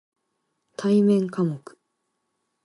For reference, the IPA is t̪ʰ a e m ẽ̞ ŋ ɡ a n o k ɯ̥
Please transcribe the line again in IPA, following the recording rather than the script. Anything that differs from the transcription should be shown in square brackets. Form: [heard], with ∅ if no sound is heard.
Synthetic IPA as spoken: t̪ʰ a [i] m ẽ̞ ŋ [k] a [m] o k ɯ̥